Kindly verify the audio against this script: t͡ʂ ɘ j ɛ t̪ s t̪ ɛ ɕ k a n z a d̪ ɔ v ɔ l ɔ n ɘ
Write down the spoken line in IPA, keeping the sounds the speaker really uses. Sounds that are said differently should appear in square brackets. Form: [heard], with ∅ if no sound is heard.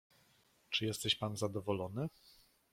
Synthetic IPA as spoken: t͡ʂ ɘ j ɛ [∅] s t̪ ɛ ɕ [p] a n z a d̪ ɔ v ɔ l ɔ n ɘ